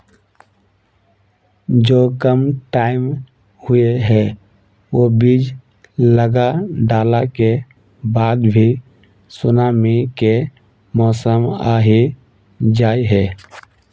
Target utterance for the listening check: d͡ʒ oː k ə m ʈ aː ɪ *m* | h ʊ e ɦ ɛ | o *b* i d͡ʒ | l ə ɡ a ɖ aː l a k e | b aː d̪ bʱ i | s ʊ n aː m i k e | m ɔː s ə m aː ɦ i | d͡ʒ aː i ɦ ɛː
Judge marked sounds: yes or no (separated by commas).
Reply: yes, yes